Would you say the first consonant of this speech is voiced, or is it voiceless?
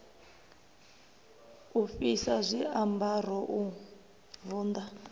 voiceless